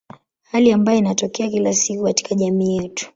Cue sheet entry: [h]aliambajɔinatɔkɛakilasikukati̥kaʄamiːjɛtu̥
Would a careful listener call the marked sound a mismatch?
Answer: no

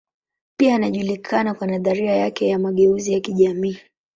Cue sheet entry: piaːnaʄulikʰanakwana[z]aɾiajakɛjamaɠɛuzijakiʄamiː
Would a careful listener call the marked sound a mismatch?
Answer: yes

